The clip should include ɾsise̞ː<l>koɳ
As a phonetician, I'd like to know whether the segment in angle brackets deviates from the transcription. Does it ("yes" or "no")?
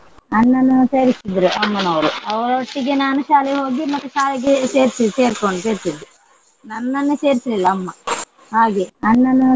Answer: yes